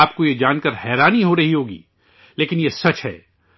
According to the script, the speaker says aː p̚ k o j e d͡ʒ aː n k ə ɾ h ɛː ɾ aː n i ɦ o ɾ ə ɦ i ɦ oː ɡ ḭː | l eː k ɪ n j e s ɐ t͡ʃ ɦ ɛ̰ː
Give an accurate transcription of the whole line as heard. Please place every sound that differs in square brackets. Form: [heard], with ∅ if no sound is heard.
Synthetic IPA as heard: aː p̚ k o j e d͡ʒ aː n k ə ɾ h ɛː ɾ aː n i ɦ o ɾ [ɐ] ɦ i ɦ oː ɡ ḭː | l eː k ɪ n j e s ɐ t͡ʃ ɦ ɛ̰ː